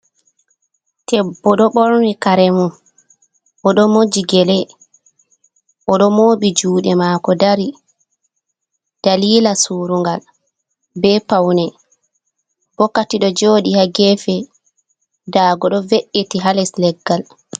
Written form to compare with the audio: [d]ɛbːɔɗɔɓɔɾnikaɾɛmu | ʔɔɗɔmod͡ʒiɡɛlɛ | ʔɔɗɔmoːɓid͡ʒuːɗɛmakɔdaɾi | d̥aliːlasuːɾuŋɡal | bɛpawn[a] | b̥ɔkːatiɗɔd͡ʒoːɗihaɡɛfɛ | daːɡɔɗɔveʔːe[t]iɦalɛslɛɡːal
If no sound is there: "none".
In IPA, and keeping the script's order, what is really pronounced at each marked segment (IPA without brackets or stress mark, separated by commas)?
t, ɛ, t